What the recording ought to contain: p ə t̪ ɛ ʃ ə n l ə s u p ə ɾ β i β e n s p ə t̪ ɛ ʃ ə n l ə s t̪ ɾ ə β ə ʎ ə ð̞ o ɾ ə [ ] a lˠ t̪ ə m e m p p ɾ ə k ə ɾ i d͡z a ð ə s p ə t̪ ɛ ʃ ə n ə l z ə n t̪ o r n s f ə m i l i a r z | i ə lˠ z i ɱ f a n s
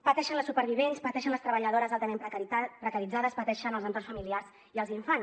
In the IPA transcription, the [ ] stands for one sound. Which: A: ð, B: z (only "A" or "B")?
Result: B